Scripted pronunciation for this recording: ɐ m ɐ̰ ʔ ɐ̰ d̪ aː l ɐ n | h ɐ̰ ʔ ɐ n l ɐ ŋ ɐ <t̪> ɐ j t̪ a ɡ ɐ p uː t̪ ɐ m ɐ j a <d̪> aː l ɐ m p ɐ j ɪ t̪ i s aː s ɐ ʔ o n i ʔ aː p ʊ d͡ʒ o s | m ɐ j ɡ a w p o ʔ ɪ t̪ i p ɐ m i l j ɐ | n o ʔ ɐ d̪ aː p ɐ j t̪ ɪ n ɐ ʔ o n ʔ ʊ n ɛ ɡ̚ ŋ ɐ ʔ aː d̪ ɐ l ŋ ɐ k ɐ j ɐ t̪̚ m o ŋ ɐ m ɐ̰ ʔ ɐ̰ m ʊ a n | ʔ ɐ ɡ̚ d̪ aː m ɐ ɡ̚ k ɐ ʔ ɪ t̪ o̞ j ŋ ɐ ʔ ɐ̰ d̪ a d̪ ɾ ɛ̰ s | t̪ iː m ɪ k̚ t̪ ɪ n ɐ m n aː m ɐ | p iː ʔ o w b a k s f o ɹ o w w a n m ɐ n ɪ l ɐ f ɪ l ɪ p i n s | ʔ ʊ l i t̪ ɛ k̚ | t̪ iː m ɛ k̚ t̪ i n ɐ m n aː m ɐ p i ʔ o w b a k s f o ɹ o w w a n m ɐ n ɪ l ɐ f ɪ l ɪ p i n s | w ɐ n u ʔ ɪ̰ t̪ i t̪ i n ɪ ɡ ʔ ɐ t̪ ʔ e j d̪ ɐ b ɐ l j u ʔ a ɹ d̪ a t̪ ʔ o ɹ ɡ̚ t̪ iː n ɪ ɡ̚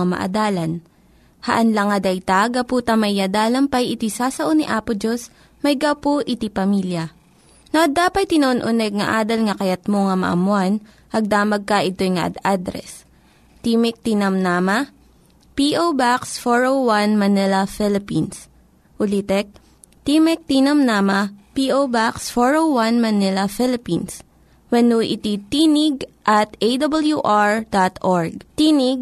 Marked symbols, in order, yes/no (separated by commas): no, yes